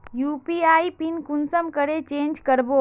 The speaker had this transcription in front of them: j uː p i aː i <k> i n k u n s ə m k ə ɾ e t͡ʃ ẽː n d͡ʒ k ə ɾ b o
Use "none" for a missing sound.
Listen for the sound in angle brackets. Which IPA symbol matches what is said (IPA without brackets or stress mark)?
p